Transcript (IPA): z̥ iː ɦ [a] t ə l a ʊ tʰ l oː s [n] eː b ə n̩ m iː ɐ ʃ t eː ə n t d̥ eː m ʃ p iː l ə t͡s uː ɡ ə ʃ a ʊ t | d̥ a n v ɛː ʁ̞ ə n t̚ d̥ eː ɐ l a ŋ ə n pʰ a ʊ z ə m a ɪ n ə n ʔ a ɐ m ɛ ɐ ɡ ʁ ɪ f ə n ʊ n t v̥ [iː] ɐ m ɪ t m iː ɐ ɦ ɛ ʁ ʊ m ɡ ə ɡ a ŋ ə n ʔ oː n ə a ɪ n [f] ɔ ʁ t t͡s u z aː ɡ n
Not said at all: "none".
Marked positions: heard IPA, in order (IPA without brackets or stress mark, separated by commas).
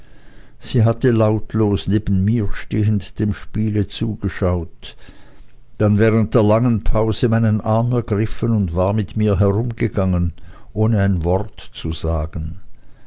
a, n, aː, v